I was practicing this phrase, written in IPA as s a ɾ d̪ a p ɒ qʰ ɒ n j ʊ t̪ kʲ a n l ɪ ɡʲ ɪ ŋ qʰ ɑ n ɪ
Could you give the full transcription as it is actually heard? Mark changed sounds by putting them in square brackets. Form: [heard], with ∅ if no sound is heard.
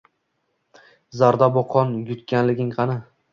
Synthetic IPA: [z] a ɾ d̪ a [b] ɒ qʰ ɒ n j ʊ t̪ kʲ a n l ɪ ɡʲ ɪ ŋ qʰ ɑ n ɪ